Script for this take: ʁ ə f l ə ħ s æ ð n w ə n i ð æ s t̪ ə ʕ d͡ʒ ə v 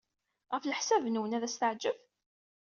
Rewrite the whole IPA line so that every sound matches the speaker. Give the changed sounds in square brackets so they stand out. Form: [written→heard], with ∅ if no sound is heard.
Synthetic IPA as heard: ʁ ə f l ə ħ s æ [ð→v] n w ə n [i→æ] ð æ s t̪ ə ʕ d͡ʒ ə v